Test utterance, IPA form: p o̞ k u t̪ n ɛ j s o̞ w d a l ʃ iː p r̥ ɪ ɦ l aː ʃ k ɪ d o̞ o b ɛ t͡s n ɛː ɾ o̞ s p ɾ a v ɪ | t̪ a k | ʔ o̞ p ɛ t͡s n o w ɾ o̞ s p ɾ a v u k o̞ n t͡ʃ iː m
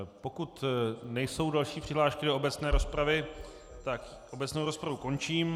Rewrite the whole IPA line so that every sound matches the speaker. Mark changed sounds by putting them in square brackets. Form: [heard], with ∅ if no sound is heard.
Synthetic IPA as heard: p o̞ k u t̪ n ɛ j s o̞ w d a l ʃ iː p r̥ ɪ ɦ l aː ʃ k ɪ d o̞ o b ɛ t͡s n ɛː ɾ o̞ s p ɾ a v ɪ | t̪ a k | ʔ o̞ [b] ɛ t͡s n o w ɾ o̞ s p ɾ a v u k o̞ n t͡ʃ iː m

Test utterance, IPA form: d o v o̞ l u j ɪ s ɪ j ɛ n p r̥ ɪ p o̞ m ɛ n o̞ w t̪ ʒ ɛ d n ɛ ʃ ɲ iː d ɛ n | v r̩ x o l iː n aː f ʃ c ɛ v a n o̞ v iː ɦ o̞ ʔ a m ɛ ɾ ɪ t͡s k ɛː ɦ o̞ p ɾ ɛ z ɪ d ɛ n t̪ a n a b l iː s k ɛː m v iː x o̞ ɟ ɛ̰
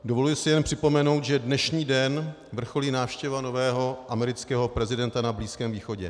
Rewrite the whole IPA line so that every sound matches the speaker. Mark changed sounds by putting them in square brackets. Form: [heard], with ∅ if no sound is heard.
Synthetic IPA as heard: d o v o̞ l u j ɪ s ɪ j ɛ n p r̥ ɪ p o̞ m ɛ n o̞ w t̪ ʒ ɛ d n ɛ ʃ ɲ iː d ɛ n | v r̩ x o l iː n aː f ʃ c ɛ v a n o̞ v [ɛː] ɦ o̞ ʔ a m ɛ ɾ ɪ t͡s k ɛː ɦ o̞ p ɾ ɛ z ɪ d ɛ n t̪ a n a b l iː s k ɛː m v iː x o̞ ɟ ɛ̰

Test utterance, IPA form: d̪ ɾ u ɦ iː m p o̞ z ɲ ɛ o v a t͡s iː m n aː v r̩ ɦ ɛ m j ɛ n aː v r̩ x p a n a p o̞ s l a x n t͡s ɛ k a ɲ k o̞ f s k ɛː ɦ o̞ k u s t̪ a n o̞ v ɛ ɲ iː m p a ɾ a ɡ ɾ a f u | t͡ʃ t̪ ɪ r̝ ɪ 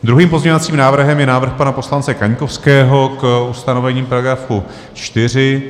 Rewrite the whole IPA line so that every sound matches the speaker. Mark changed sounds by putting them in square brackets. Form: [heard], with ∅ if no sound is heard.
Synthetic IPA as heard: d̪ ɾ u ɦ iː m p o̞ z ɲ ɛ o v a t͡s iː m n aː v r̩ ɦ ɛ m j ɛ n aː v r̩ x p a n a p o̞ s l a [∅] n t͡s ɛ k a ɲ k o̞ f s k ɛː ɦ o̞ k u s t̪ a n o̞ v ɛ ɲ iː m p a ɾ a ɡ ɾ a f u | t͡ʃ t̪ ɪ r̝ ɪ

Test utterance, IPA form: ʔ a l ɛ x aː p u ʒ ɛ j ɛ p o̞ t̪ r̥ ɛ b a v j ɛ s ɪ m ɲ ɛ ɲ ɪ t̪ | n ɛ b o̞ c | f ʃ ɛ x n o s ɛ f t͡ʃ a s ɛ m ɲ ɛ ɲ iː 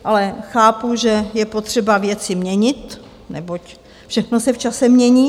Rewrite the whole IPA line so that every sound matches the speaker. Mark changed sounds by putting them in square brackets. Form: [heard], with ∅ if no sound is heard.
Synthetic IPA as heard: ʔ a l ɛ x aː p u ʒ ɛ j ɛ p o̞ t̪ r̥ ɛ b a v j ɛ [t͡s] ɪ m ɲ ɛ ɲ ɪ t̪ | n ɛ b o̞ c | f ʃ ɛ x n o s ɛ f t͡ʃ a s ɛ m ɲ ɛ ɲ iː

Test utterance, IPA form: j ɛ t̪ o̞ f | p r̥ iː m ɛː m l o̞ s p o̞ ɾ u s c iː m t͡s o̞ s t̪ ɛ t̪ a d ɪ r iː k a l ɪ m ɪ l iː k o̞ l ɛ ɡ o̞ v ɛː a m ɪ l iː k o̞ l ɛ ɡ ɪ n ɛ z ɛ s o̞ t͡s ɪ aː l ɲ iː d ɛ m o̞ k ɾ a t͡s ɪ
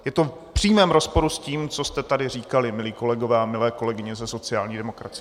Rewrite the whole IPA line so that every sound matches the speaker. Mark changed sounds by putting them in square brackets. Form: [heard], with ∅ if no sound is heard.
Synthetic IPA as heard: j ɛ t̪ o̞ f | p r̥ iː m ɛː m [ɾ] o̞ s p o̞ ɾ u s c iː m t͡s o̞ s t̪ ɛ t̪ a d ɪ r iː k a l ɪ m ɪ l iː k o̞ l ɛ ɡ o̞ v ɛː a m ɪ l [ɛː] k o̞ l ɛ ɡ ɪ [ɲ] ɛ z ɛ s o̞ t͡s ɪ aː l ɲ iː d ɛ m o̞ k ɾ a t͡s ɪ

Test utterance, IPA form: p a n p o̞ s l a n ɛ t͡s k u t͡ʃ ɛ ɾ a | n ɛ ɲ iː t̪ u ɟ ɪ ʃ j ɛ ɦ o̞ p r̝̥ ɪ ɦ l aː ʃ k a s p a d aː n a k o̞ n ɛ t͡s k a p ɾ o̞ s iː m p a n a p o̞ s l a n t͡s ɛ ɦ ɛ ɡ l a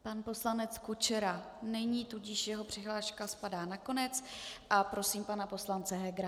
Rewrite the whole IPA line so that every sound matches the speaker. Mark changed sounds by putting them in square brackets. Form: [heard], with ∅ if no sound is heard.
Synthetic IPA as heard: p a n p o̞ s l a n ɛ t͡s k u t͡ʃ ɛ ɾ a | n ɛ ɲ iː t̪ u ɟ ɪ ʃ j ɛ ɦ o̞ p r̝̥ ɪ ɦ l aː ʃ k a s p a d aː n a k o̞ n ɛ t͡s [ʔ] a p ɾ o̞ s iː m p a n a p o̞ s l a n t͡s ɛ ɦ ɛ ɡ [ɾ] a

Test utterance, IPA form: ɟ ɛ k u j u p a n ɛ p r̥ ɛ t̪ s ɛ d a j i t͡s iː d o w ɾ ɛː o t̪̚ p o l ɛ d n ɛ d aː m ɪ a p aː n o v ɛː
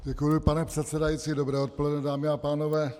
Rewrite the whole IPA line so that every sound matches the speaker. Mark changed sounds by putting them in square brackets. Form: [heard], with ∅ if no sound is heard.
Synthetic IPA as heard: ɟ ɛ k u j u p a n ɛ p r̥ ɛ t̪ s ɛ d a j i t͡s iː d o [b] ɾ ɛː o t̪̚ p o l ɛ d n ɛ d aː m ɪ a p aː n o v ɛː

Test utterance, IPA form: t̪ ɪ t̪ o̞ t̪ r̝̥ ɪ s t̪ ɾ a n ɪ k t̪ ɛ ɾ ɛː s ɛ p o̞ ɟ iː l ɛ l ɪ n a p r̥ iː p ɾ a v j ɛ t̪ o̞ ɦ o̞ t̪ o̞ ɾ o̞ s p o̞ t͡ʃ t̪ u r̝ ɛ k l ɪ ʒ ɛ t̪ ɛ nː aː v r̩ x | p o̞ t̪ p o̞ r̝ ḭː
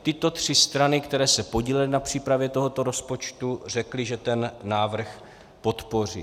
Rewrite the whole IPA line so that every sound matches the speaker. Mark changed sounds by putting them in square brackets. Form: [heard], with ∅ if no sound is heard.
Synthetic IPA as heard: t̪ ɪ t̪ o̞ t̪ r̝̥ ɪ s t̪ ɾ a n ɪ k t̪ ɛ ɾ ɛː s ɛ p o̞ ɟ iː l ɛ l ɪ n a p r̥ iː p ɾ a v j ɛ t̪ o̞ ɦ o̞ t̪ o̞ ɾ o̞ s p o̞ t͡ʃ t̪ u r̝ ɛ k l ɪ ʒ ɛ t̪ ɛ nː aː v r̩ x | p o̞ t̪ p o̞ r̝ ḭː

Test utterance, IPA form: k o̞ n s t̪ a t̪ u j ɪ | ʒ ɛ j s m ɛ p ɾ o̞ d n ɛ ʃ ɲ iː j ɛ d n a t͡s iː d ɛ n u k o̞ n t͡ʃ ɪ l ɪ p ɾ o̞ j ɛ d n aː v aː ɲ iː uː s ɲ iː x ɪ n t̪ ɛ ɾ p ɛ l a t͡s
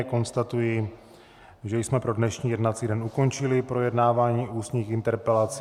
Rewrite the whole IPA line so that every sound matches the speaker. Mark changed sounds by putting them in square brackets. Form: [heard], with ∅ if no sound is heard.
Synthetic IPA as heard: k o̞ n s t̪ a t̪ u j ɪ | ʒ ɛ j s m ɛ p ɾ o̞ d n ɛ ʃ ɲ iː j ɛ d n a t͡s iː d ɛ n u k o̞ n t͡ʃ ɪ l ɪ p ɾ o̞ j ɛ d n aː v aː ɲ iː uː s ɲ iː x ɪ n t̪ ɛ ɾ p ɛ l a t͡s

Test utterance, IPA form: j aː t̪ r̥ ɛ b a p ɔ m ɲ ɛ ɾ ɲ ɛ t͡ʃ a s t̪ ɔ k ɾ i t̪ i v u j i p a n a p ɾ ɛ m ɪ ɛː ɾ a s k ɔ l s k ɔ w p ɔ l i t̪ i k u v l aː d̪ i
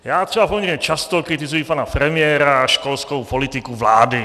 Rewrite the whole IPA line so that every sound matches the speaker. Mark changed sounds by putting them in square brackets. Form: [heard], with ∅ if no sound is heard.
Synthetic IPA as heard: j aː t̪ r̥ ɛ b a p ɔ m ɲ ɛ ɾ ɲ ɛ t͡ʃ a s t̪ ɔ k ɾ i t̪ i [z] u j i p a n a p ɾ ɛ m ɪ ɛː ɾ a [ʃ] k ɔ l s k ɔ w p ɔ l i t̪ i k u v l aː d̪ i

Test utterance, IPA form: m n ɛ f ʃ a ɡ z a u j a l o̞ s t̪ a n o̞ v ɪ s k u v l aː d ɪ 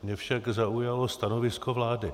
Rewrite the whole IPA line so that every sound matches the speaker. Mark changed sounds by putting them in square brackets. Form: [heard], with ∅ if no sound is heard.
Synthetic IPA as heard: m [ɲ] ɛ f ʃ a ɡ z a u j a l o̞ s t̪ a n o̞ v ɪ s k [o] v l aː d ɪ

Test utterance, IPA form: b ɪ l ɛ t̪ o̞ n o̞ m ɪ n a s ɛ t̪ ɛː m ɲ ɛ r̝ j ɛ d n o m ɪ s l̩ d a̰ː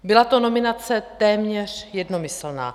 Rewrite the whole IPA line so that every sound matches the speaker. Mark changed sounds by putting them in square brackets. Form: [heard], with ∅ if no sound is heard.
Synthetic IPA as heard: b ɪ l [a] t̪ o̞ n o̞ m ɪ n a [t͡s] ɛ t̪ ɛː m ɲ ɛ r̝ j ɛ d n o m ɪ s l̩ [n] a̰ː

